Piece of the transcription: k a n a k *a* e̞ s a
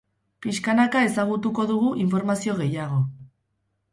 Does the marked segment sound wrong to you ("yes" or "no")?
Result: no